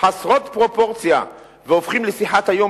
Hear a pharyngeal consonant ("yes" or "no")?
yes